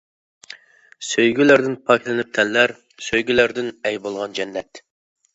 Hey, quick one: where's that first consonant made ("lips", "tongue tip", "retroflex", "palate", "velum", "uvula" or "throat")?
tongue tip